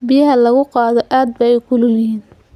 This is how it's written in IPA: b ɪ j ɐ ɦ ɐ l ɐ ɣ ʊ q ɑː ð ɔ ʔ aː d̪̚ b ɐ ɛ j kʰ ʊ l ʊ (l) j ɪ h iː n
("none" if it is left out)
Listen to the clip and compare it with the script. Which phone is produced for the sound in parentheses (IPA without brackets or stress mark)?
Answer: l